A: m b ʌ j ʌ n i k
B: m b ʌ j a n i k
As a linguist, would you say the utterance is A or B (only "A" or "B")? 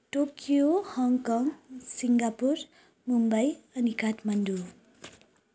A